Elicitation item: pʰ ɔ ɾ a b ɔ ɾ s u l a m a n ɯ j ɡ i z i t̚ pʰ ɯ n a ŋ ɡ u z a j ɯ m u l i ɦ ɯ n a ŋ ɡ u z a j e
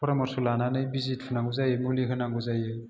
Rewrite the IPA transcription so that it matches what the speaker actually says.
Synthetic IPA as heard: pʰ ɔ ɾ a m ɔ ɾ s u l a n a n ɯ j b i z i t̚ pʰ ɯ n a ŋ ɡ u z a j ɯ m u l i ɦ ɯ n a ŋ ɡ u z a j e